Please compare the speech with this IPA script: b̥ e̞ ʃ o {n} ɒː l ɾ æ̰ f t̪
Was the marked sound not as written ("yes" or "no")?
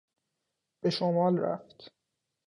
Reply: yes